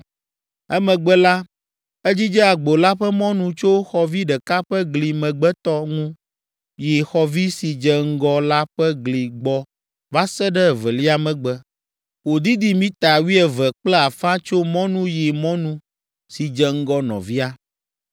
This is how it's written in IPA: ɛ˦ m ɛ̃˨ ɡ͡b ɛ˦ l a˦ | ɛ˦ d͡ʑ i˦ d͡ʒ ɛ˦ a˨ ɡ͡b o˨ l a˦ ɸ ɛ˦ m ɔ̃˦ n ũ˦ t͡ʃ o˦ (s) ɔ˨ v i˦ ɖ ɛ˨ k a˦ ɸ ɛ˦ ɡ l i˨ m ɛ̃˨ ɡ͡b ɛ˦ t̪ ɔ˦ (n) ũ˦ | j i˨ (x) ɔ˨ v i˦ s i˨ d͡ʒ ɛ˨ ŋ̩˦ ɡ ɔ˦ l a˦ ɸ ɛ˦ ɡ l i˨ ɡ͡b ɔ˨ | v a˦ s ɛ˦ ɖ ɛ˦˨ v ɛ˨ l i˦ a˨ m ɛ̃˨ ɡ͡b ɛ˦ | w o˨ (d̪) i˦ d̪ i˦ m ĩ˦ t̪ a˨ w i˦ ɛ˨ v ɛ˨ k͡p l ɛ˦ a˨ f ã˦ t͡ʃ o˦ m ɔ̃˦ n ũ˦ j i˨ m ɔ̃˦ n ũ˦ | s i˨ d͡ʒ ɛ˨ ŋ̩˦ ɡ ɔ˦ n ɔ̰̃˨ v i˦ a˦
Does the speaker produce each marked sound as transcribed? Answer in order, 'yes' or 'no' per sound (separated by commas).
no, no, yes, yes